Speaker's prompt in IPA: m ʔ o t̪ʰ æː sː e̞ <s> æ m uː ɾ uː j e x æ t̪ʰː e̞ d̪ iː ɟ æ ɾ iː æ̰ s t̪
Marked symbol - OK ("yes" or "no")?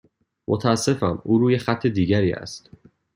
no